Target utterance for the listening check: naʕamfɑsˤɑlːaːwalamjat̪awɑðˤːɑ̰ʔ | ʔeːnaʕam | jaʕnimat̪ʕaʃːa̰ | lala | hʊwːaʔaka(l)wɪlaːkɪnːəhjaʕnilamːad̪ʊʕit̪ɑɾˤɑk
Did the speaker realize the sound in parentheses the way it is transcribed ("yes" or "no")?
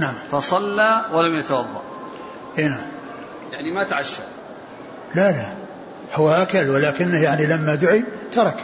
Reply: yes